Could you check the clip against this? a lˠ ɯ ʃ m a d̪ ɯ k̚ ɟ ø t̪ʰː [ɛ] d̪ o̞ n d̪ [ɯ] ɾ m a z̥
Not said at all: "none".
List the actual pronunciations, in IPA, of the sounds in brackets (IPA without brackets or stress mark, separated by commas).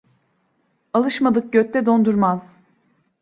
ɛ, u